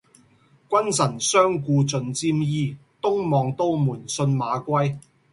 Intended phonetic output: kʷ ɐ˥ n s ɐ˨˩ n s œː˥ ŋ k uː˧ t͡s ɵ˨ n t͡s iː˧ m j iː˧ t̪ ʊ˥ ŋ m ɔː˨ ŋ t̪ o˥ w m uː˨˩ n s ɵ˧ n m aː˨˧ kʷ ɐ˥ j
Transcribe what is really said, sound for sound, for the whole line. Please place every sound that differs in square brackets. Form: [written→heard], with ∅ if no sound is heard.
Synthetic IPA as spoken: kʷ ɐ˥ n s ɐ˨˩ n s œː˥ ŋ k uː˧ t͡s ɵ˨ n t͡s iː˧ m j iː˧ t̪ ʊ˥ ŋ m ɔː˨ ŋ t̪ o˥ w m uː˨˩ n s ɵ˧ n m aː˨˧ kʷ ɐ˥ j